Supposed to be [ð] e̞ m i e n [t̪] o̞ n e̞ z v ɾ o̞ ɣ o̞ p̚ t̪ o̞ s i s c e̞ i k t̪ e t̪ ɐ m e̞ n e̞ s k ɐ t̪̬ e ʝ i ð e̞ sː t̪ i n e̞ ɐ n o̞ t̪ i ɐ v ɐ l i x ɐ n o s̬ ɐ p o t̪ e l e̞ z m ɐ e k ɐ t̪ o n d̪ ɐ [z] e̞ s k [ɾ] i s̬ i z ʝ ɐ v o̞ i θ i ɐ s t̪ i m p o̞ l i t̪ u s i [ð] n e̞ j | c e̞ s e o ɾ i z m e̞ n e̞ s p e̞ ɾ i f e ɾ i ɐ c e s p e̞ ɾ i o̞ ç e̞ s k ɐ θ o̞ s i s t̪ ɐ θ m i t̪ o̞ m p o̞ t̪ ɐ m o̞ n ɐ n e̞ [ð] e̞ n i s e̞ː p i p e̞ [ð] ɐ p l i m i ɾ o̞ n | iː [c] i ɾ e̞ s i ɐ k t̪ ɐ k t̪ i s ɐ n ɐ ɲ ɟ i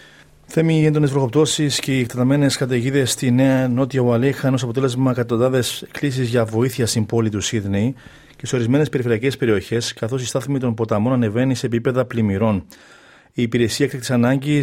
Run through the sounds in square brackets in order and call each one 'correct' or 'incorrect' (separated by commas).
incorrect, incorrect, incorrect, incorrect, correct, incorrect, correct, incorrect